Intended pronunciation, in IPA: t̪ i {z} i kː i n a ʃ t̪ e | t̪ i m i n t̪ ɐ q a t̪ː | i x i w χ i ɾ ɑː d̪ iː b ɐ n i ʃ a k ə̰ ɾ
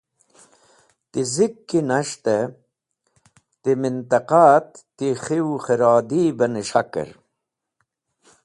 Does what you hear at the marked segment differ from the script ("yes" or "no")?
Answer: no